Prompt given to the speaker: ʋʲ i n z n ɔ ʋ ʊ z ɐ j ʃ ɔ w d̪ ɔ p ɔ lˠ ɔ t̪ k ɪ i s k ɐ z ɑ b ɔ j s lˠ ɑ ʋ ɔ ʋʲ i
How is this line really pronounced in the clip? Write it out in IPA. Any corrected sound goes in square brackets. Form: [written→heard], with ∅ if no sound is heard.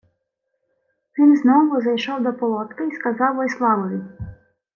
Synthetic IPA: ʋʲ i n z n ɔ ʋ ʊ z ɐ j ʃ ɔ w d̪ ɔ p ɔ lˠ ɔ t̪ k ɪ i s k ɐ z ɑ [b→w] ɔ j s lˠ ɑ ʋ ɔ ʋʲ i